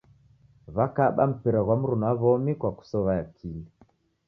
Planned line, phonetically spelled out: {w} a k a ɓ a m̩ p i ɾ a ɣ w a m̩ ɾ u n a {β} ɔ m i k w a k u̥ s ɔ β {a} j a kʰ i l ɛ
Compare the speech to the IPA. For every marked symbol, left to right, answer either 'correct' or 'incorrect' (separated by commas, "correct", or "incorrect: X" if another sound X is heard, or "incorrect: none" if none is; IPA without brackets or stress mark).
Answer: incorrect: β, correct, correct